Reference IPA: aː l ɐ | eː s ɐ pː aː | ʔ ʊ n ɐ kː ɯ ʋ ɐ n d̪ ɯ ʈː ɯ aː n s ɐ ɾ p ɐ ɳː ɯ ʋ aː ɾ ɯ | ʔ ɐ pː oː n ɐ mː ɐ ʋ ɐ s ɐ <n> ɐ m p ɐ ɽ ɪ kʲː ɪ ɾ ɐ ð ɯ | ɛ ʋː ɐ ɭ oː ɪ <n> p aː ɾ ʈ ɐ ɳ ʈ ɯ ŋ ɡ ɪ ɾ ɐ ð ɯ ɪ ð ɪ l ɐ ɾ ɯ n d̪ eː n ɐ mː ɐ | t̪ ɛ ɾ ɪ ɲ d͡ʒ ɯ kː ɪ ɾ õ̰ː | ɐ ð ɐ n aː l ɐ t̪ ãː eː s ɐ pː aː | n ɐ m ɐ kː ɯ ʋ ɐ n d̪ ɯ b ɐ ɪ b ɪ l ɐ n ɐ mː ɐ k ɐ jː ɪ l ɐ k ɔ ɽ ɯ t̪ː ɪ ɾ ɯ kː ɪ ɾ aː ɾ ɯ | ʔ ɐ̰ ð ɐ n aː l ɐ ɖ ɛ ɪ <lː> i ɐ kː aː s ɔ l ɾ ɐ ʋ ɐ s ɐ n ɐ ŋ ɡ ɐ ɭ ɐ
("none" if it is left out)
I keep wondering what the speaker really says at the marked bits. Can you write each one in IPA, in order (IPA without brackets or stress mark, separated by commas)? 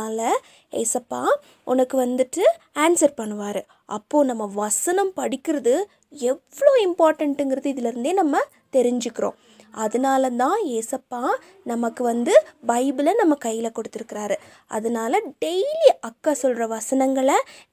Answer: n, m, l